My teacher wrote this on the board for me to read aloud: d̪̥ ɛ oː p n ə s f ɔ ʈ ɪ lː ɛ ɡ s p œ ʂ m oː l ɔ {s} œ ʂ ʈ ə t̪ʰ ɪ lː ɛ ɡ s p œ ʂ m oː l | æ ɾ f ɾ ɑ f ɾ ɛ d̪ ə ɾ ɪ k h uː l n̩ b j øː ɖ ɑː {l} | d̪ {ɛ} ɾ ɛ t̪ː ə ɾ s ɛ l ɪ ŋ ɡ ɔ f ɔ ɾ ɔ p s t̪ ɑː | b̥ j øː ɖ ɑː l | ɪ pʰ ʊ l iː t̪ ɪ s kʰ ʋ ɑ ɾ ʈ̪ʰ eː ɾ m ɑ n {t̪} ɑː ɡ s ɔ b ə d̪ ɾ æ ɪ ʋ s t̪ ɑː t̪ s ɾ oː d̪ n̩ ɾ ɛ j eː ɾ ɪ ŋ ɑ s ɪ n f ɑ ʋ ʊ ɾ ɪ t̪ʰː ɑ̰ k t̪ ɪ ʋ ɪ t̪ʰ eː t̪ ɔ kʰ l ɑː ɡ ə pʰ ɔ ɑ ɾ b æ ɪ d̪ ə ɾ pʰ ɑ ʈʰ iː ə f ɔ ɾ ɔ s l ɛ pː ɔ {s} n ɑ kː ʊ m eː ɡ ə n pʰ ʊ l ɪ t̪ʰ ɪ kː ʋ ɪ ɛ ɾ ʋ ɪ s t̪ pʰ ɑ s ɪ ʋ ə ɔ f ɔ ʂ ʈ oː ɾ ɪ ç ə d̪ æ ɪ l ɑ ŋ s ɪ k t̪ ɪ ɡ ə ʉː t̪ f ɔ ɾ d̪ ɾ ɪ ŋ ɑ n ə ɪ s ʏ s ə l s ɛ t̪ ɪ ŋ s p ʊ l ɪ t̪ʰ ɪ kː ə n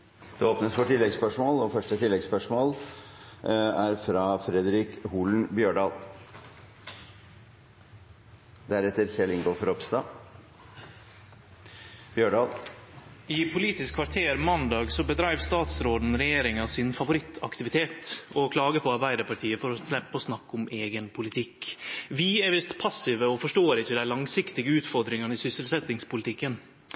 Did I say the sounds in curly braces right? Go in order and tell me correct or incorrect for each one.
incorrect: f, correct, incorrect: æ, incorrect: d̪, correct

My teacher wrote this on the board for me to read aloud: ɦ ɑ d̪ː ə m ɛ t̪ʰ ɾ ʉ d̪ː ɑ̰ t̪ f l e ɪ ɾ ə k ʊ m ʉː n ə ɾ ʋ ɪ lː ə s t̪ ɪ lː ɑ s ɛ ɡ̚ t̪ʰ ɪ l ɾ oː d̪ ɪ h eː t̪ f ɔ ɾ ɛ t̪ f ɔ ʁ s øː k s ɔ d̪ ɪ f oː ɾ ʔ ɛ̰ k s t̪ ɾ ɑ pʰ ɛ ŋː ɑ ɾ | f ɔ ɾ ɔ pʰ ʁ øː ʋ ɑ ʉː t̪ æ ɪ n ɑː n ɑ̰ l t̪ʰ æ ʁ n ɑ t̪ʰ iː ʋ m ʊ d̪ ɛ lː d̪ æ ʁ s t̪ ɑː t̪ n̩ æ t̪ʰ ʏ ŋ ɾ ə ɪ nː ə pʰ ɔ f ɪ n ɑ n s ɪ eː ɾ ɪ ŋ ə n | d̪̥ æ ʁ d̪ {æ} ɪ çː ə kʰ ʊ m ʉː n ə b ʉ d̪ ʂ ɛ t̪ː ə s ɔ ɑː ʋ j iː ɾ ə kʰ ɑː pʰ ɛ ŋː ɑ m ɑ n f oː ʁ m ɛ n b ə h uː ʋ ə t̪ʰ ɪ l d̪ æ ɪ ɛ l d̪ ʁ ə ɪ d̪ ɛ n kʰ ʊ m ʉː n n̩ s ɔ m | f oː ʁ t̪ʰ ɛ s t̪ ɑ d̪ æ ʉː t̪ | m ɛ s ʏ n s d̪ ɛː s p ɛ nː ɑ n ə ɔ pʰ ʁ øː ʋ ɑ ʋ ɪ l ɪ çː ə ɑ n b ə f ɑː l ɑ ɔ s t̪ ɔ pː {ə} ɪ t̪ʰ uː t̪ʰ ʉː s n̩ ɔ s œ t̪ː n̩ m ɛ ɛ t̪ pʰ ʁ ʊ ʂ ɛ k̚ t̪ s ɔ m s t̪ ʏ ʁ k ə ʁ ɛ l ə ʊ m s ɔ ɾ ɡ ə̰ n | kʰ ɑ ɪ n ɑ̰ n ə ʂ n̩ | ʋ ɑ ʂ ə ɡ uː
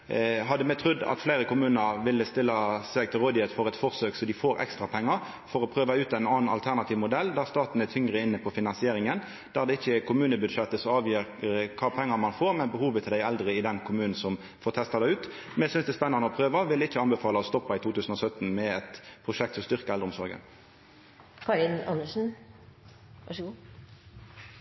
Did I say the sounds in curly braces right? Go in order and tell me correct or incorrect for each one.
incorrect: ɛ, incorrect: ɑ

